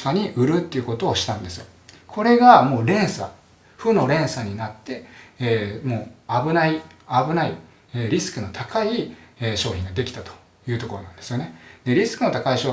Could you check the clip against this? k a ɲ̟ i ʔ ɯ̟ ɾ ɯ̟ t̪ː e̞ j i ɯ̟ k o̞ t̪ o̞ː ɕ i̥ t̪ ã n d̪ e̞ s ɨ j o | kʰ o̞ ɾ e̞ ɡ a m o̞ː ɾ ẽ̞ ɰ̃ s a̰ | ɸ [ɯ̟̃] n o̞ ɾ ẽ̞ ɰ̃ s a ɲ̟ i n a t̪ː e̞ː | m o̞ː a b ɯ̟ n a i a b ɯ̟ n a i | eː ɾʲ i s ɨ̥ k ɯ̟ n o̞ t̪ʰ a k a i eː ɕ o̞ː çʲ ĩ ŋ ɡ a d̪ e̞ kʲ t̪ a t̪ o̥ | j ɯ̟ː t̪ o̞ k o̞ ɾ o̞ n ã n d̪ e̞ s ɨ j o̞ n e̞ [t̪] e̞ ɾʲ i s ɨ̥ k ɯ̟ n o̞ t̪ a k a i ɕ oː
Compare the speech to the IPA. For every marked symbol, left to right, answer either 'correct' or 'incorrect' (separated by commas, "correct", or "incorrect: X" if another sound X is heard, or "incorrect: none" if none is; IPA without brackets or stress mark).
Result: incorrect: ɯ̟, incorrect: d̪